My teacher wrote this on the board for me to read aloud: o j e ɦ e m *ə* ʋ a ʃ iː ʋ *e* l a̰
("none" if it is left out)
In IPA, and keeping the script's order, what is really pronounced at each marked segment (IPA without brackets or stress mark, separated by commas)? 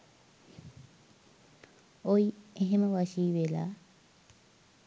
ə, e